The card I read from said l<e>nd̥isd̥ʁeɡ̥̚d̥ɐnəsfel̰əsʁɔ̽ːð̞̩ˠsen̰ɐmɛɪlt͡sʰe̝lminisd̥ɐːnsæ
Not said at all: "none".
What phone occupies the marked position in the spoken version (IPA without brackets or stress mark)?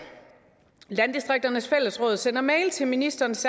æ